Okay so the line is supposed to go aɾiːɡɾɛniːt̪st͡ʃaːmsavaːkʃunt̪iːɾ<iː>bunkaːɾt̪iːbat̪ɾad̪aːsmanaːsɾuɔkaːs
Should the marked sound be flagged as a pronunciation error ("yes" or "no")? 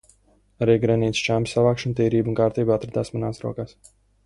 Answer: no